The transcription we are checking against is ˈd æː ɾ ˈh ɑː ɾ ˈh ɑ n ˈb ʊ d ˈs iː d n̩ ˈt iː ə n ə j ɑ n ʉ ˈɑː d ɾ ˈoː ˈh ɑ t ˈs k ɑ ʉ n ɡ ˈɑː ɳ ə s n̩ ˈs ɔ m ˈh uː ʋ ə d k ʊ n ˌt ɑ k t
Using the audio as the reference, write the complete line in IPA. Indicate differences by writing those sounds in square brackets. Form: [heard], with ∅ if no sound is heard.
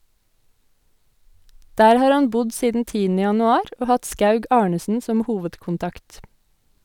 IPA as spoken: ˈd æː ɾ ˈh ɑː ɾ ˈh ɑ n ˈb ʊ d ˈs iː d n̩ ˈt iː ə n ə j ɑ n ʉ ˈɑː [∅] ɾ ˈoː ˈh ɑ t ˈs k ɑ ʉ [∅] ɡ ˈɑː ɳ ə s n̩ ˈs ɔ m ˈh uː ʋ ə d k ʊ n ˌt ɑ k t